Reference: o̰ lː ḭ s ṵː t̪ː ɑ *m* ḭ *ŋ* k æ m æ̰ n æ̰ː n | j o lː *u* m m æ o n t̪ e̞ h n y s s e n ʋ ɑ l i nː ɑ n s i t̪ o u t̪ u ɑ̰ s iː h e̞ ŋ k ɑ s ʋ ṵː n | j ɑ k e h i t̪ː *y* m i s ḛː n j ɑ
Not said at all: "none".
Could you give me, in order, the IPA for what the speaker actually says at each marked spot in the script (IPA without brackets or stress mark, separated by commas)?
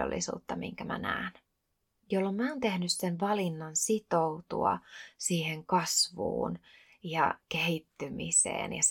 m, ŋ, o, y